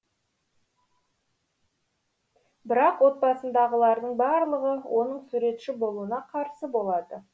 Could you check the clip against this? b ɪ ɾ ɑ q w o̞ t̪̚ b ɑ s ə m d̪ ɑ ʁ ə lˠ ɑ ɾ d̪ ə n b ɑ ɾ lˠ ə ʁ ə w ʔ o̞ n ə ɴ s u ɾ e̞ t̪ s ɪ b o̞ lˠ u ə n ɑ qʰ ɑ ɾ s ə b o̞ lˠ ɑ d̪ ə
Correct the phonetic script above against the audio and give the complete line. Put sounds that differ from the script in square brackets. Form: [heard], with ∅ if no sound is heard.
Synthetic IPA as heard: b ɪ ɾ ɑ q w o̞ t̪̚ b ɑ s ə [n] d̪ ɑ ʁ ə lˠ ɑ ɾ d̪ ə [ɴ] b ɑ ɾ lˠ ə ʁ ə w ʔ o̞ n ə ɴ s u ɾ e̞ t̪ [ʃ] ɪ b o̞ lˠ u ə n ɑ qʰ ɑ ɾ s ə b o̞ lˠ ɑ d̪ ə